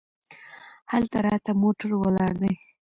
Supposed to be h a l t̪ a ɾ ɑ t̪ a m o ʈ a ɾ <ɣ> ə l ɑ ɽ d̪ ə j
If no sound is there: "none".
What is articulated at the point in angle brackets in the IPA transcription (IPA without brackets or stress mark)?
w